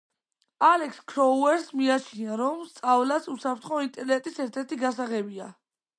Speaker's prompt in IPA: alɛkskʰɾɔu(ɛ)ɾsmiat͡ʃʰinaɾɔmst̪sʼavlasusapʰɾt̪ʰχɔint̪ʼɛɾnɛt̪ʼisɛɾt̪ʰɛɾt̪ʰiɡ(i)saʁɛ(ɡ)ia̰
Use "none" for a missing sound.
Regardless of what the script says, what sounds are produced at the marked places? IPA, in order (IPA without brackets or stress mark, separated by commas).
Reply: ɛ, a, b